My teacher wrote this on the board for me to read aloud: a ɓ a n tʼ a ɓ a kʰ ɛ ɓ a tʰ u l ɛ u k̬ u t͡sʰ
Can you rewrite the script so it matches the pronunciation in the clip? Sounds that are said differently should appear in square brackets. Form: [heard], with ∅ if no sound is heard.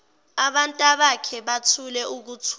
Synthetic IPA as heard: a ɓ a n tʼ a ɓ a kʰ ɛ ɓ a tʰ u l ɛ u k̬ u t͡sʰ